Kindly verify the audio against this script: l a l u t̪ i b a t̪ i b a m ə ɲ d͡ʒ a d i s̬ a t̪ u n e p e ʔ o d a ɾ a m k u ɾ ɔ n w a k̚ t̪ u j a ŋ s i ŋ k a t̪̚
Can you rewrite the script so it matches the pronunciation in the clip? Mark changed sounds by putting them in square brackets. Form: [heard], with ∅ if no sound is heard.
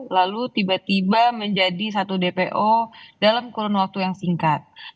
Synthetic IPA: l a l u t̪ i b a t̪ i b a m ə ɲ d͡ʒ a d i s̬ a t̪ u [d] e p e ʔ o d a [l] a m k u ɾ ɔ n w a k̚ t̪ u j a ŋ s i ŋ k a t̪̚